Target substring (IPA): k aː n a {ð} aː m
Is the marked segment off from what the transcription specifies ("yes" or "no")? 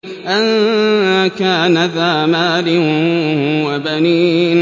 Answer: no